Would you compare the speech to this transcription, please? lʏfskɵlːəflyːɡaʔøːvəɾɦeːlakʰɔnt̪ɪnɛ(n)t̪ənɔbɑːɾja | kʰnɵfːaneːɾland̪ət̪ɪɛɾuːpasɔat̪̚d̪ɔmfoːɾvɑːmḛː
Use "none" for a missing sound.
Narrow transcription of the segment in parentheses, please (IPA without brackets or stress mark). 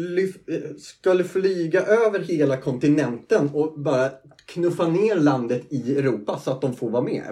n